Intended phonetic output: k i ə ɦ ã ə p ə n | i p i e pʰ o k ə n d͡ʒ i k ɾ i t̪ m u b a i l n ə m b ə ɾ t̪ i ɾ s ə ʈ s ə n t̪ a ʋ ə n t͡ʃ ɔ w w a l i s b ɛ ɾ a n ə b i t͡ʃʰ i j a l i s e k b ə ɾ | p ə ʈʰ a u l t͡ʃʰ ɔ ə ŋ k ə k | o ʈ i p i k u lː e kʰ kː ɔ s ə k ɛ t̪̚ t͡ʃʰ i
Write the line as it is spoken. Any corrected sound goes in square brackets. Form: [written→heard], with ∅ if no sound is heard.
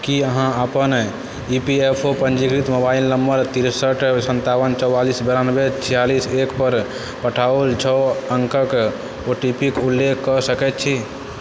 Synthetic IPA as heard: k i ə ɦ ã ə p ə n | i p i e pʰ o [k→p] ə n d͡ʒ i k ɾ i t̪ m [u→o] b a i l n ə m b ə ɾ t̪ i ɾ s ə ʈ s ə n t̪ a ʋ ə n t͡ʃ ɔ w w a l i s b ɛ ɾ a n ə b [i→e] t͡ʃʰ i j a l i s e k [b→p] ə ɾ | p ə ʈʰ a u l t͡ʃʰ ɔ ə ŋ k ə k | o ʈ i p i k u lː e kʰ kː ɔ s ə k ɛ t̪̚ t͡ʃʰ i